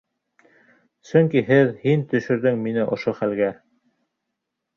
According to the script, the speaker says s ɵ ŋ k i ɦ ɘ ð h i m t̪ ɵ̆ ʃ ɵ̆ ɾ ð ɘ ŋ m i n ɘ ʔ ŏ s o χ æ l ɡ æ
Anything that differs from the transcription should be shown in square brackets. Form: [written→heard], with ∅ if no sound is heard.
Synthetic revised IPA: s ɵ ŋ k i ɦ ɘ ð h i [m→n] t̪ ɵ̆ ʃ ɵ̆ ɾ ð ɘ ŋ m i n ɘ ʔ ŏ [s→ʃ] o χ æ l ɡ æ